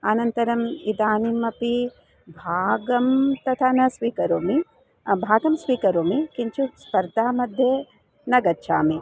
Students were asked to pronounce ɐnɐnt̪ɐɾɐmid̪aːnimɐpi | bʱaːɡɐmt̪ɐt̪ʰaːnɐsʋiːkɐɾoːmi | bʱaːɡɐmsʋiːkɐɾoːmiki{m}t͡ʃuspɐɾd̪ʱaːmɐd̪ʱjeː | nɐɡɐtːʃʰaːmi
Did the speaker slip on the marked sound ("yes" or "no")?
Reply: yes